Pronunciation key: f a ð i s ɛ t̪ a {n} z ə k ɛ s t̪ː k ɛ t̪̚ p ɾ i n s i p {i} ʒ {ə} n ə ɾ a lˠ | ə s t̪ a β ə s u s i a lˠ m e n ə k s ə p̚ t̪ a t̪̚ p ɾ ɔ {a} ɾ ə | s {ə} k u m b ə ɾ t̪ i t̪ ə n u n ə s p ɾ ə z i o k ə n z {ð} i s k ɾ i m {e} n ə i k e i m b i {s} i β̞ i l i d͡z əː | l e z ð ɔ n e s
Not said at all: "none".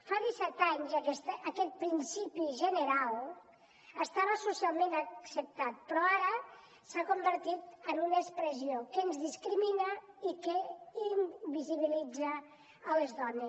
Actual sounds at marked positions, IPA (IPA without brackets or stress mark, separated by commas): ɲ, i, ə, a, a, ð, i, z